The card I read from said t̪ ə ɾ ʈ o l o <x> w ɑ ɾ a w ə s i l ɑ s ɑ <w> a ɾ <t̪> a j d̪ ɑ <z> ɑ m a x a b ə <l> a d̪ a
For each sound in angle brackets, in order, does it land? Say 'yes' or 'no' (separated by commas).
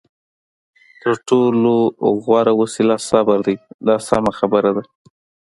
no, no, no, no, no